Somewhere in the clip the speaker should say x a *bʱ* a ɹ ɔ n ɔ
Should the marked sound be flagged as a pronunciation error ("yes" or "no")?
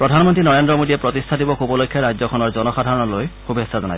yes